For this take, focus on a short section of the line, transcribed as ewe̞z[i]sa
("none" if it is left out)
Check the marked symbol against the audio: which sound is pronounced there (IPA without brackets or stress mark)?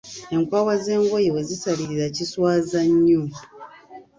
i